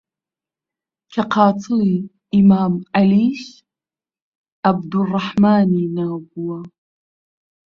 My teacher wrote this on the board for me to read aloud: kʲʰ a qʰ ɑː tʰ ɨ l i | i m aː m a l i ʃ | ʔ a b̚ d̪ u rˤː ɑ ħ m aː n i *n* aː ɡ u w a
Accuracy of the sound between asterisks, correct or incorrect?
correct